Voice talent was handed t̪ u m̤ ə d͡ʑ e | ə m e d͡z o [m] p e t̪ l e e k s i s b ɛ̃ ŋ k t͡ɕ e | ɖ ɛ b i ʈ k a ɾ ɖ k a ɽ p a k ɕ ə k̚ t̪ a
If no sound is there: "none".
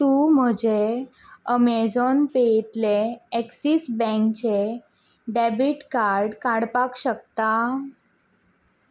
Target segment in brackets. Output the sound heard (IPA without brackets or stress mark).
n